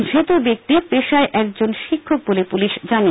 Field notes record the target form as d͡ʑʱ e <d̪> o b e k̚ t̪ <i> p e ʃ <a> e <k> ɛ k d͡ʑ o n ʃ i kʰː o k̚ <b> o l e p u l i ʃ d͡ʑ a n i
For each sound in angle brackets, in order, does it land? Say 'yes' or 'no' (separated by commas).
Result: no, yes, yes, no, yes